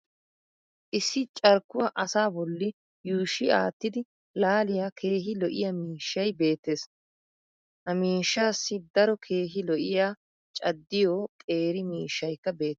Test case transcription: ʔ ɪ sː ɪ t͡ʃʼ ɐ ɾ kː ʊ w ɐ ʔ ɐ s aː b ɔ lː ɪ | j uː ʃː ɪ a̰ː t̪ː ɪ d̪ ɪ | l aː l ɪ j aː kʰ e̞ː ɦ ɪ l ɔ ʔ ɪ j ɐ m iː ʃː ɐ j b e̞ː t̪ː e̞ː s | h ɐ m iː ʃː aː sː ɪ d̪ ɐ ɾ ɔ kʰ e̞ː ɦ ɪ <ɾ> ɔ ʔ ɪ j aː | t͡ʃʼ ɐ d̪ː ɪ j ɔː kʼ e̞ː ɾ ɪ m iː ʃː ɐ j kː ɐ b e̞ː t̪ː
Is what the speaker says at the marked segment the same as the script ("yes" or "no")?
no